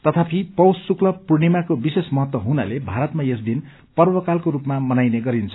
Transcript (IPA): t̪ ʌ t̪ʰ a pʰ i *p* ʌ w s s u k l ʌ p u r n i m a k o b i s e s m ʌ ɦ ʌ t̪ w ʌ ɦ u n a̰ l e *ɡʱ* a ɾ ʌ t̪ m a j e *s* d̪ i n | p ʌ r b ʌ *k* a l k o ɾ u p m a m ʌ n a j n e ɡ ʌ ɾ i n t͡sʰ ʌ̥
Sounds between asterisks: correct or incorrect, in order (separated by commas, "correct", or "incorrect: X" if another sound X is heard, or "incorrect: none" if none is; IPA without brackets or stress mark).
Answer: correct, incorrect: bʱ, correct, correct